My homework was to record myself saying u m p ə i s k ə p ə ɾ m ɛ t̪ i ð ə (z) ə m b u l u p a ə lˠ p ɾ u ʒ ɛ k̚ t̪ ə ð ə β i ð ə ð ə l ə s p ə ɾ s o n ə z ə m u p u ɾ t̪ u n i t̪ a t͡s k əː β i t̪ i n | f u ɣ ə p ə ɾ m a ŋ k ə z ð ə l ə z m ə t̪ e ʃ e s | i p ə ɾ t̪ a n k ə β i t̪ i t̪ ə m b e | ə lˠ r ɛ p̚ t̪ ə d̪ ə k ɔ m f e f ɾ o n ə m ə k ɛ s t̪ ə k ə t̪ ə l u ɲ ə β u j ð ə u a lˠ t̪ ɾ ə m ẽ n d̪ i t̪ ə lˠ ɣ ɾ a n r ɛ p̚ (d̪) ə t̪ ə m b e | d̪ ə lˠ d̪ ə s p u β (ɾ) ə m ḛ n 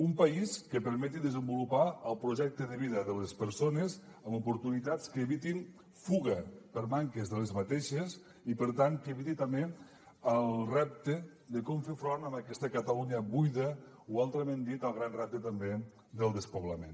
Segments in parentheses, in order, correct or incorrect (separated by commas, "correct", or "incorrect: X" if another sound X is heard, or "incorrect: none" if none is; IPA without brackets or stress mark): correct, incorrect: t̪, incorrect: l